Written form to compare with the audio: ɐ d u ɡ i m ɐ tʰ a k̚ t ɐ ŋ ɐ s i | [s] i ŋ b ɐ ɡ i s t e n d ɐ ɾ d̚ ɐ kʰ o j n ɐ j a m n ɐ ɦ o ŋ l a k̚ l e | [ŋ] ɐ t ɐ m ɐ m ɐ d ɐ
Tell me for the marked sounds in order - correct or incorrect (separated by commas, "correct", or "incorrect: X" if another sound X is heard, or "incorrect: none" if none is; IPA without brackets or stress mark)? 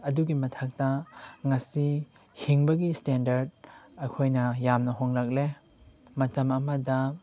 incorrect: h, incorrect: m